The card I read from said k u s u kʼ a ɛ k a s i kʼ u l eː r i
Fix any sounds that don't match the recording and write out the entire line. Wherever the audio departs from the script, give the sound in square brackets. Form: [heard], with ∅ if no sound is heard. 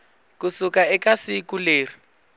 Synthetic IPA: k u s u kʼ a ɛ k a s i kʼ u l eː r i